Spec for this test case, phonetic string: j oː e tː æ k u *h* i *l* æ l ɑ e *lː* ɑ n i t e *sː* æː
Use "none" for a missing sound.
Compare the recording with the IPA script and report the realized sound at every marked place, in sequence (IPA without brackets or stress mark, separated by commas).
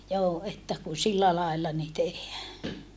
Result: s, lː, lː, hː